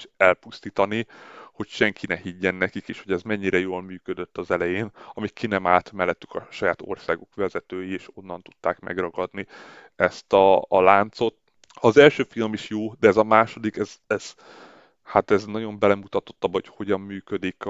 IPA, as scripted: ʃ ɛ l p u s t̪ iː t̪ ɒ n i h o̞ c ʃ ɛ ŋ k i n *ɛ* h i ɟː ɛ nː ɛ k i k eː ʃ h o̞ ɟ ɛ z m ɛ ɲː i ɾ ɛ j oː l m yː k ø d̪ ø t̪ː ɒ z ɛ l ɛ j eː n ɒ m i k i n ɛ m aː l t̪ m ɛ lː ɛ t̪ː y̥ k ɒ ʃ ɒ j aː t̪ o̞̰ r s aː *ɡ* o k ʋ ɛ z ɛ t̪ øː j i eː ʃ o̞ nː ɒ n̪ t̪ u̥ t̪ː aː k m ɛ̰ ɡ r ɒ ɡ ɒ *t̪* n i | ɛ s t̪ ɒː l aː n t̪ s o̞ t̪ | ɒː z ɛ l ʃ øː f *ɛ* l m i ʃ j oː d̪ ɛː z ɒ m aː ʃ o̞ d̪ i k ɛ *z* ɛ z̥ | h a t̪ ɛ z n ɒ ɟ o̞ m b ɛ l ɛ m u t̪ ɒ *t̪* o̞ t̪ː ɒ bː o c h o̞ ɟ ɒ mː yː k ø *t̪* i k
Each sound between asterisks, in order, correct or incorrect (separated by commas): correct, correct, incorrect, incorrect, correct, correct, incorrect